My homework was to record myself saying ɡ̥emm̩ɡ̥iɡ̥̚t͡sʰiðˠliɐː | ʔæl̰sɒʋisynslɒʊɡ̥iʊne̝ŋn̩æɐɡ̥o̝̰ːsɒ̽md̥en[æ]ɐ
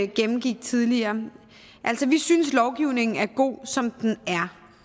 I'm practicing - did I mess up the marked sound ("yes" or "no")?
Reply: no